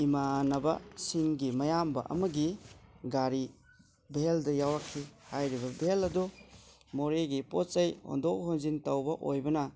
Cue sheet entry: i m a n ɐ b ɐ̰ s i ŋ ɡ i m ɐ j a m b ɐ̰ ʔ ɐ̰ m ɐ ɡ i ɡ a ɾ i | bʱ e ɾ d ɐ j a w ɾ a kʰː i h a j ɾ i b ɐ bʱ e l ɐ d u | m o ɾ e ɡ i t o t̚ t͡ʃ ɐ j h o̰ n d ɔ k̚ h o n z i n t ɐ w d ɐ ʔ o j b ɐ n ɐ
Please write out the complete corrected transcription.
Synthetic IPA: i m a n ɐ b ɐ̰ s i ŋ ɡ i m ɐ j a m b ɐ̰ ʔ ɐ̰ m ɐ ɡ i ɡ a ɾ i | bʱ e l d ɐ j a w ɾ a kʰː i h a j ɾ i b ɐ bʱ e l ɐ d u | m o ɾ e ɡ i p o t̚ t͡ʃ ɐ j h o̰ n d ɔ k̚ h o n z i n t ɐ w b ɐ ʔ o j b ɐ n ɐ